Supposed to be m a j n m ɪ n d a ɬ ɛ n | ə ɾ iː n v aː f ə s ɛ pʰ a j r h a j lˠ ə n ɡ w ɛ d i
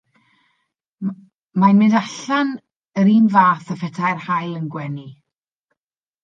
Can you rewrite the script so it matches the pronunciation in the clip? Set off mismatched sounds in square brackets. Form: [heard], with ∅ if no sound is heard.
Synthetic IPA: m a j n m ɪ n d a ɬ [a] n | ə ɾ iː n v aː [θ] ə [f] ɛ [tʰ] a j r h a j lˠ ə n ɡ w ɛ [n] i